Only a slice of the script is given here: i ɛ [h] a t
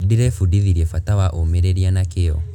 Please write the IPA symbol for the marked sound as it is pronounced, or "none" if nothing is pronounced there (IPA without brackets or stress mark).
f